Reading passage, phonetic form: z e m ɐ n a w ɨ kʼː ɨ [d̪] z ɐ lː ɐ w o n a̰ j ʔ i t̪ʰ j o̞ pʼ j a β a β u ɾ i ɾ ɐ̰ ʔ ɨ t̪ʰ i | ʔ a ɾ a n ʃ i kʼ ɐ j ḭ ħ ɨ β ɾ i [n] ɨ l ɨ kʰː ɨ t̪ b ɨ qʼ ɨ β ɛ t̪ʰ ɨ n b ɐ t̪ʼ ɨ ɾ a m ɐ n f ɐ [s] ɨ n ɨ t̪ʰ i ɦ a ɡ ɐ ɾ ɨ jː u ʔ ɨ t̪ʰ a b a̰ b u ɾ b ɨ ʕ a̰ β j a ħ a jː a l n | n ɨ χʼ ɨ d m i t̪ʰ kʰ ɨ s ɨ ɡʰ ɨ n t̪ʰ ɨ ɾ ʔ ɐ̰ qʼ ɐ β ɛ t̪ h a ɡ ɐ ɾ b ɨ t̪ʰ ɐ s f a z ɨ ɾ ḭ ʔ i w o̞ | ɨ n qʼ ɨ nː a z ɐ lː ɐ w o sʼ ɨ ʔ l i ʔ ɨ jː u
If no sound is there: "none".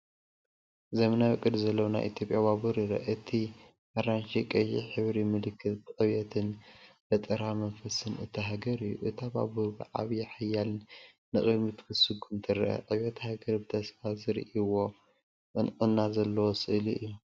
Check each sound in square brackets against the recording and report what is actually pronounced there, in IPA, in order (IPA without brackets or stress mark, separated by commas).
d̪, m, s